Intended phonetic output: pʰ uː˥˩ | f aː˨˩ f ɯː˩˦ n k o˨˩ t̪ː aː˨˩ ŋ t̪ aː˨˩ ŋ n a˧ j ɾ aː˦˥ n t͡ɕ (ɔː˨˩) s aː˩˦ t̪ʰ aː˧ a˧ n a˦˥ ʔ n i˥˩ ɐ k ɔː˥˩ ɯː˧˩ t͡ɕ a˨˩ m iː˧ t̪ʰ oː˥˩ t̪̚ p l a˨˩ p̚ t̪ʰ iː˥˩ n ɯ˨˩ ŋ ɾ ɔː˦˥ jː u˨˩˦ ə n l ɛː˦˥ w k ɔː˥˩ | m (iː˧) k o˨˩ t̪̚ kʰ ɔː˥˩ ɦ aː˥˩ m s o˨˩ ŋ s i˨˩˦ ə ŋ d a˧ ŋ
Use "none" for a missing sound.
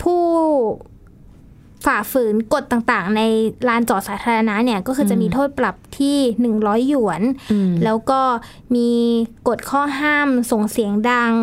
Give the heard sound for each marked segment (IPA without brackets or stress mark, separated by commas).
ɔː˨˩, iː˧